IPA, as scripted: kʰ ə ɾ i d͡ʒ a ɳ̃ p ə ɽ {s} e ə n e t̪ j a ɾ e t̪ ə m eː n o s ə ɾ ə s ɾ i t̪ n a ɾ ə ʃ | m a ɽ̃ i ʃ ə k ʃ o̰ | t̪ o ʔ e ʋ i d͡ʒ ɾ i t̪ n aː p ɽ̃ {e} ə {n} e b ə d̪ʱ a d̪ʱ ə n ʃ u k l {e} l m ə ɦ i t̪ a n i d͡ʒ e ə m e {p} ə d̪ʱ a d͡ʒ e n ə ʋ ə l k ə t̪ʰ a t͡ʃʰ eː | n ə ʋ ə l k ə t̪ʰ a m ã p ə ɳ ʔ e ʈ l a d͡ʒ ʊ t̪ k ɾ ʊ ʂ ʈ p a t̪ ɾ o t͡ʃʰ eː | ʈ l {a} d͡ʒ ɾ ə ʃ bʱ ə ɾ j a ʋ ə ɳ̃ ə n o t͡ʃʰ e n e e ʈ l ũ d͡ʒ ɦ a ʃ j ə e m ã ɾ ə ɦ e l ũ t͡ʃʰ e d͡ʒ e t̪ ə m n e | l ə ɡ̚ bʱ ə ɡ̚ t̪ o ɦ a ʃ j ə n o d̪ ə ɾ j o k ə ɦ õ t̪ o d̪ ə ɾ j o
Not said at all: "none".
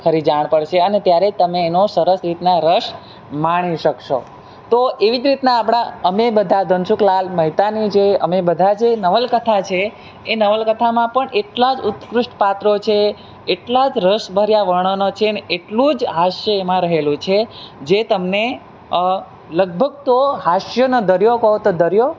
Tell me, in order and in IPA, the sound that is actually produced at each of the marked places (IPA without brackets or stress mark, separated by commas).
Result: ʃ, a, m, a, b, a